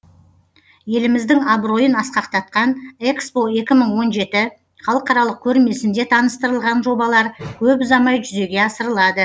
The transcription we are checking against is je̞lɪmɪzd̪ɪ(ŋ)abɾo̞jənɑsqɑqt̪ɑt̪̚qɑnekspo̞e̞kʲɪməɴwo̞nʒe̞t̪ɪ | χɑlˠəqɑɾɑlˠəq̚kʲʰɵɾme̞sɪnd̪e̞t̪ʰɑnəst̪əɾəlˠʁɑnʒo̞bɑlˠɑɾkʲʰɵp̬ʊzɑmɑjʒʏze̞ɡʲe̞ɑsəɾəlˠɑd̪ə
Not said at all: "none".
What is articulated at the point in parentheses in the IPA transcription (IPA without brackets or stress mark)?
ŋ